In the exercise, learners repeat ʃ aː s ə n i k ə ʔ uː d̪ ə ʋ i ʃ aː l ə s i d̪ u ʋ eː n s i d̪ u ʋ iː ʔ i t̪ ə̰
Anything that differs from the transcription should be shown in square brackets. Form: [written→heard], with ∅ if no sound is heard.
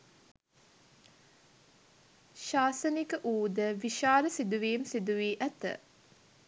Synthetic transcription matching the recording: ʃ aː s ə n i k ə ʔ uː d̪ ə ʋ i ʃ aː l ə s i d̪ u ʋ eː [n→m] s i d̪ u ʋ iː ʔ [i→æ] t̪ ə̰